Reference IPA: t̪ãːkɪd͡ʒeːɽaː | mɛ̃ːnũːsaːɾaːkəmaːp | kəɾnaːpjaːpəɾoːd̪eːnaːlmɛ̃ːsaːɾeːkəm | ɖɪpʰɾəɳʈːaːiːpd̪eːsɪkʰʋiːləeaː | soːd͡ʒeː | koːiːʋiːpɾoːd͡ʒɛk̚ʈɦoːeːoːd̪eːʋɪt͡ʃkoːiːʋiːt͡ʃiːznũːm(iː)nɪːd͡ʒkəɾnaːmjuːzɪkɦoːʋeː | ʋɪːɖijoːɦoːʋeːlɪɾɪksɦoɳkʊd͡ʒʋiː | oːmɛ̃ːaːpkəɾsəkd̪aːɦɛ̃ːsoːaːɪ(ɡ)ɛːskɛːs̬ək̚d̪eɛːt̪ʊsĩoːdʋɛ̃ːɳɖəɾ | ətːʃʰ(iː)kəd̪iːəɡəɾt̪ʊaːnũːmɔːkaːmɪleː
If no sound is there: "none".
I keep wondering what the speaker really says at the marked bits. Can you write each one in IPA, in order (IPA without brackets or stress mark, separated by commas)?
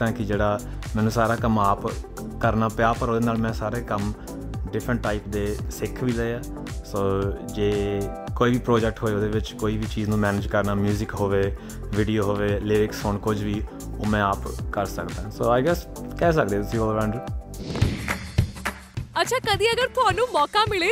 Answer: ɛː, ɡ, aː